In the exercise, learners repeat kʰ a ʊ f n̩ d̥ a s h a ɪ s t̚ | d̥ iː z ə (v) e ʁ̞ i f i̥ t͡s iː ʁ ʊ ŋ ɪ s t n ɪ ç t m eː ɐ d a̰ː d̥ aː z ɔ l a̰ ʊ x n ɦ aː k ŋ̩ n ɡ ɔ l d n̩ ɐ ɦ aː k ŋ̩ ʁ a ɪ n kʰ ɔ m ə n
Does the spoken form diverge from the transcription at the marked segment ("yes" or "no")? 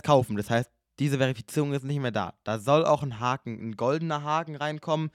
no